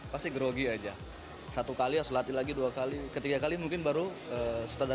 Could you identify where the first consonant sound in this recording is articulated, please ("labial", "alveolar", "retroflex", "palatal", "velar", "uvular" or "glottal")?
labial